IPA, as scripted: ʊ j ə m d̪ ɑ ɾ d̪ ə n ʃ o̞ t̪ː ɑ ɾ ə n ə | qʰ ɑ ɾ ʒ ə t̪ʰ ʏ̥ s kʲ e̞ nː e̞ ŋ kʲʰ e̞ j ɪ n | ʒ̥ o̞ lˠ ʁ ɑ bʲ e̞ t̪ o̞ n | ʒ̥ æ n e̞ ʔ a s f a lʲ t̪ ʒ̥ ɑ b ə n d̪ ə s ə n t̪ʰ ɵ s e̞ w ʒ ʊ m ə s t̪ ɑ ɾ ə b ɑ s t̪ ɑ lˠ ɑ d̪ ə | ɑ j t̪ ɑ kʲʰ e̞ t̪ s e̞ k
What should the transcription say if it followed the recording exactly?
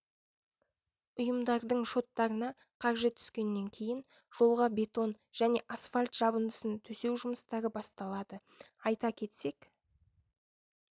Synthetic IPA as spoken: ʊ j ə m d̪ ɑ ɾ d̪ ə ɴ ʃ o̞ t̪ː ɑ ɾ ə n ɑ | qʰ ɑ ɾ ʒ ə t̪ʰ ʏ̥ s kʲ e̞ nː e̞ ŋ kʲʰ e̞ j ɪ n | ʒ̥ o̞ lˠ ʁ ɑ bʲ e̞ t̪ o̞ n | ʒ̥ æ n e̞ ʔ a s f a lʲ t̪ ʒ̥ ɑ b ə n d̪ ə s ə n t̪ʰ ɵ s e̞ w ʒ ʊ m ə s t̪ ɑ ɾ ə b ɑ s t̪ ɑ lˠ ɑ d̪ ə | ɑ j t̪ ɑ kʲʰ e̞ t̪ s e̞ k